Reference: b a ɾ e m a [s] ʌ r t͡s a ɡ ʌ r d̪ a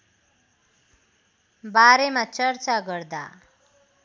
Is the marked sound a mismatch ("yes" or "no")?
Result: yes